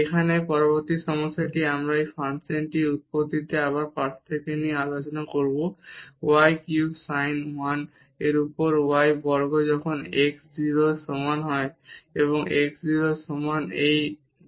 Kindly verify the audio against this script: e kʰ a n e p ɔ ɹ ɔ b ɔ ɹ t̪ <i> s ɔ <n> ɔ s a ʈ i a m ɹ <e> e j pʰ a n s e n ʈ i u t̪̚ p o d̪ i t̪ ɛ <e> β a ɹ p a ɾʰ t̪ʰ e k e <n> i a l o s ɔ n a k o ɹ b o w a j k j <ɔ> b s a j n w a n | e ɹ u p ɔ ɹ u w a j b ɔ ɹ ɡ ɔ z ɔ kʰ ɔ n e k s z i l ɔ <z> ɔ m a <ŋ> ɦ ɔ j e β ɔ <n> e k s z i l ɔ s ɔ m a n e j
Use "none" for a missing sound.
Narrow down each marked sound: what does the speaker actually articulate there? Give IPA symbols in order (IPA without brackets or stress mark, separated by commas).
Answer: i, m, a, a, n, u, s, n, ŋ